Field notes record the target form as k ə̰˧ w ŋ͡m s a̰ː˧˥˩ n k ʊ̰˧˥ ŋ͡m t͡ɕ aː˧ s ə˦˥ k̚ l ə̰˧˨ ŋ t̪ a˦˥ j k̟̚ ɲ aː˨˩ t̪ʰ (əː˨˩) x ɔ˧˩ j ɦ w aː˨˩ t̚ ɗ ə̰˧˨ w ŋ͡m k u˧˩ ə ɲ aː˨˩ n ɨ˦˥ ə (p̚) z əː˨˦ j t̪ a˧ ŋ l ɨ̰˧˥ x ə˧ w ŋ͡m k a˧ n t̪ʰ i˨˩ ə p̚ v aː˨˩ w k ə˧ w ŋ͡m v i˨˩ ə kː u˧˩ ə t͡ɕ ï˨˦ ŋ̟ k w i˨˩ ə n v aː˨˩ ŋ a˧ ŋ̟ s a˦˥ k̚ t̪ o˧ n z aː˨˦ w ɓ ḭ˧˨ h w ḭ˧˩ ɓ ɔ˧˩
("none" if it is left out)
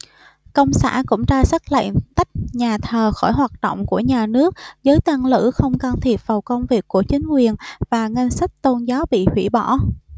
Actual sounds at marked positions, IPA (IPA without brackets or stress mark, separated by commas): əː˨˩, k̚